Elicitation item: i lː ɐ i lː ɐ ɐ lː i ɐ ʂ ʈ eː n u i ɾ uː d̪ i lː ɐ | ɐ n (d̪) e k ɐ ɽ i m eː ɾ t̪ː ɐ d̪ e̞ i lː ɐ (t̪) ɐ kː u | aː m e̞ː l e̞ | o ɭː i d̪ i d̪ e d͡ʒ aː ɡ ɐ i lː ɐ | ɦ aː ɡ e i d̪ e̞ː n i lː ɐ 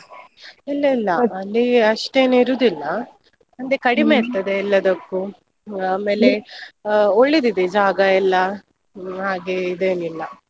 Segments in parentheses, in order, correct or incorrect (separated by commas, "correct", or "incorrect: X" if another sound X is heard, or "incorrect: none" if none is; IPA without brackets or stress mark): correct, incorrect: d̪